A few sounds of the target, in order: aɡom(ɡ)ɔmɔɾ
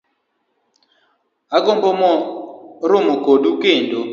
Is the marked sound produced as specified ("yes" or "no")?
no